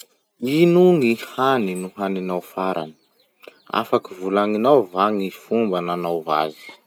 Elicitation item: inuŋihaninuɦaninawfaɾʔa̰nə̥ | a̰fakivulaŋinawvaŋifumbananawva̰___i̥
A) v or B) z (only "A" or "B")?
B